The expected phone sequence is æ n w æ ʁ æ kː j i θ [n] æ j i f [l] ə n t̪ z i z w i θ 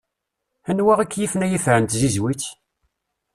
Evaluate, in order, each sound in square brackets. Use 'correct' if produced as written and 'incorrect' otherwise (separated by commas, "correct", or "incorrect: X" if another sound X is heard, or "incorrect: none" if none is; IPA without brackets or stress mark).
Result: correct, incorrect: ɾ